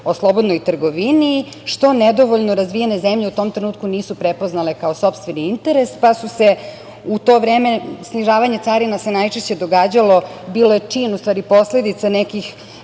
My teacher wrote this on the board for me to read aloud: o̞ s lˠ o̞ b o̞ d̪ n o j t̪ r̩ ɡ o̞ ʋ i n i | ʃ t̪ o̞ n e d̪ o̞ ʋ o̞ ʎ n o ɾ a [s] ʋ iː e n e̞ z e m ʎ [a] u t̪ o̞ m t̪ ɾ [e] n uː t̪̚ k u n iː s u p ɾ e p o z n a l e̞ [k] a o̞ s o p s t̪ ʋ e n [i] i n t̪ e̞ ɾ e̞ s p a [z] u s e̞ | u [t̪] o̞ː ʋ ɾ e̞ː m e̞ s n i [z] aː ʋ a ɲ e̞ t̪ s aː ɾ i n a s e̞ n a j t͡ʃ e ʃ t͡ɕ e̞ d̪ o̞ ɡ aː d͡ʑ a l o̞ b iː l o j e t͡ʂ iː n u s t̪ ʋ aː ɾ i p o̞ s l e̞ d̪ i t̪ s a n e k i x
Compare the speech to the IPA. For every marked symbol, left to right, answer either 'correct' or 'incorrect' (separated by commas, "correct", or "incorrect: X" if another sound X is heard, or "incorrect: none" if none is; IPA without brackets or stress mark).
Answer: incorrect: z, incorrect: e, correct, correct, correct, incorrect: s, correct, incorrect: ʒ